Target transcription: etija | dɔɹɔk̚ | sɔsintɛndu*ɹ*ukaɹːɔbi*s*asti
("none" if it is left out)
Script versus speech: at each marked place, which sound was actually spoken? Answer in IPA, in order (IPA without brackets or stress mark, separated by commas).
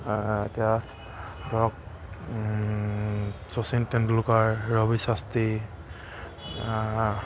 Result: l, s